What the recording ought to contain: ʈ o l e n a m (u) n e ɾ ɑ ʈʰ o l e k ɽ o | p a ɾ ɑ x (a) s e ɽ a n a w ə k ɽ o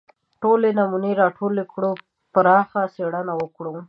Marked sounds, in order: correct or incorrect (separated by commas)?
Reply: correct, correct